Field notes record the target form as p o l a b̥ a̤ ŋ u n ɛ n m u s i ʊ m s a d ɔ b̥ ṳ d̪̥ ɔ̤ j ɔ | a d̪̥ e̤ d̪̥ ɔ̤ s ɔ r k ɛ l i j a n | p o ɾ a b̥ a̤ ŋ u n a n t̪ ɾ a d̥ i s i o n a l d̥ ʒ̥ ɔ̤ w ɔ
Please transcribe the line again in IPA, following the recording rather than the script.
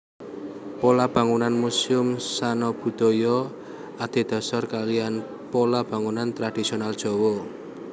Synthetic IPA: p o l a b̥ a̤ ŋ u n a n m u s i ʊ m s a n ɔ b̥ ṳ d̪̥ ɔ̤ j ɔ | a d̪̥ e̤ d̪̥ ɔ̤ s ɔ r k a l i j a n | p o l a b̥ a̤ ŋ u n a n t̪ ɾ a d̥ i s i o n a l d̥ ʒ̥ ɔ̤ w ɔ